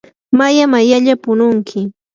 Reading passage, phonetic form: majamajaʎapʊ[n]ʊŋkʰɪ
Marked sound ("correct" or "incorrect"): correct